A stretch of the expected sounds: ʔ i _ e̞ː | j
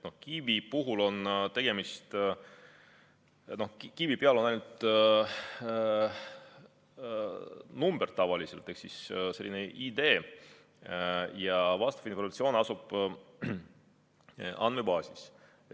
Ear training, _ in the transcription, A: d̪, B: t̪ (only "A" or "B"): A